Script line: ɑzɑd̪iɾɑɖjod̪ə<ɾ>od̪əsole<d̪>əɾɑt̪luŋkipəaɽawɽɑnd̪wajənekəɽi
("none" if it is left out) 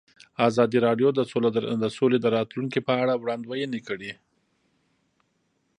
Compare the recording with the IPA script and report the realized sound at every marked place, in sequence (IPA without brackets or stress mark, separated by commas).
none, d̪